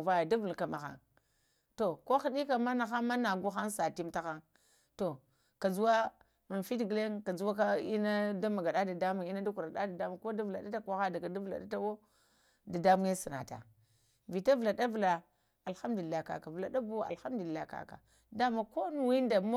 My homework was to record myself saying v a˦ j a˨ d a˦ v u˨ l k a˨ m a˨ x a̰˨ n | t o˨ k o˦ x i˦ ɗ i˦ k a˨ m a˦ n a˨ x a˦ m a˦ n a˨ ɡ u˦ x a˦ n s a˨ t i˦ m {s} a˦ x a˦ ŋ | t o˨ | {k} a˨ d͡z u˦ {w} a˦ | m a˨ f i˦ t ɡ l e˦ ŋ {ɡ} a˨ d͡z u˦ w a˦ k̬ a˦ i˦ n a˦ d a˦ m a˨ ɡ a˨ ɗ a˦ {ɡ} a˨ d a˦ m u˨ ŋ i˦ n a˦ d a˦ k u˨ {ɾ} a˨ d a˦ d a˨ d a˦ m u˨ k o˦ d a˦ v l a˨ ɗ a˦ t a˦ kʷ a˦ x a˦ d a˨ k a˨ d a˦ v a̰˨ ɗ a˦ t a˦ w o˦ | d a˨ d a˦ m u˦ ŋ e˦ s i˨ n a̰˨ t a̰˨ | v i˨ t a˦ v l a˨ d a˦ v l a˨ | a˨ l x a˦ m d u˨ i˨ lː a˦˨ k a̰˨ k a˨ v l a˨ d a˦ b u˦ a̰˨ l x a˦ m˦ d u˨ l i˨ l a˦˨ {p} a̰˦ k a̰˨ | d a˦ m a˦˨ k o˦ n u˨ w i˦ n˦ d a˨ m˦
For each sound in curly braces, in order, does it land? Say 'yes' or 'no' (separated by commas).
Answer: no, yes, yes, no, no, yes, no